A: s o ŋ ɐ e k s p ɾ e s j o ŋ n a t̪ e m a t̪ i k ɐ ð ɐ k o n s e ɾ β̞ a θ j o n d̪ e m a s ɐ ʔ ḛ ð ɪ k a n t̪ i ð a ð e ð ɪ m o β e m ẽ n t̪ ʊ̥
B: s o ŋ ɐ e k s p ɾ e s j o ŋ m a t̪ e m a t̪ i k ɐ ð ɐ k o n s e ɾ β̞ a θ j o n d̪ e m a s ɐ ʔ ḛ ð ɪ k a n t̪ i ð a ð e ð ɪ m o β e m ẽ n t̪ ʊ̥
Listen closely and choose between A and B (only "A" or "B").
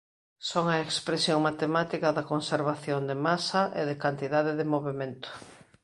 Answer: B